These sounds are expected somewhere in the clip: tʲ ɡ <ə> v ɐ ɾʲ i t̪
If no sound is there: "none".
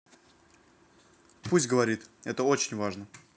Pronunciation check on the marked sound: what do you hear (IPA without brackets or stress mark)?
ə